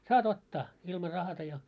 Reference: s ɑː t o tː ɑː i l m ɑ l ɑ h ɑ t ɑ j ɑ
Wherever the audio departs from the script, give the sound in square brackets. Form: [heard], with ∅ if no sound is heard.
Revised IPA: s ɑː t o tː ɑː i l m ɑ [r] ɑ h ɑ t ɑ j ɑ